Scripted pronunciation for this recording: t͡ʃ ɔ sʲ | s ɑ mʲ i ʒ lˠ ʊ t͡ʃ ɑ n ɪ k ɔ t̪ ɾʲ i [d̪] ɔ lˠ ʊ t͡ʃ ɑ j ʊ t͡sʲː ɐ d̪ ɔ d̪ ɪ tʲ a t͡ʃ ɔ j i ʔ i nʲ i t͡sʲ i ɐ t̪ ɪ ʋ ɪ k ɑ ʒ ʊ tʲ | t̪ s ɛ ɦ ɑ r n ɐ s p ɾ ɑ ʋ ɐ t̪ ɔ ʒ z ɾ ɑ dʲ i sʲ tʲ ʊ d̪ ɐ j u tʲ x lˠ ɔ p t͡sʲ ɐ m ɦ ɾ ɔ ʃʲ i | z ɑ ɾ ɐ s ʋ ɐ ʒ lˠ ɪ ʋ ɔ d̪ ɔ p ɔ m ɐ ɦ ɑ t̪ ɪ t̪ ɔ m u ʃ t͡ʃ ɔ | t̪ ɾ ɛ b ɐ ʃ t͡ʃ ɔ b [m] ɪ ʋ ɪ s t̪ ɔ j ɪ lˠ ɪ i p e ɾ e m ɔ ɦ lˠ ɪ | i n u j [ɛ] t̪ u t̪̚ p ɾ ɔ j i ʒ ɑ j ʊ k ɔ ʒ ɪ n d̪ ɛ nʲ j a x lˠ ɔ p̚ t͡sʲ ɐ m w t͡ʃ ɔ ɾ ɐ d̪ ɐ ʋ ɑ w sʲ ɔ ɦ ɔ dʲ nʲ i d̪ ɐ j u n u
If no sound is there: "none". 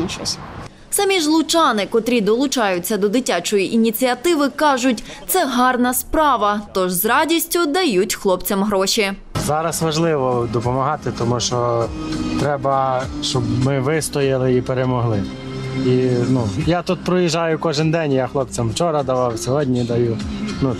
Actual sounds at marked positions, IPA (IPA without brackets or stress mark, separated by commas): d̪, m, a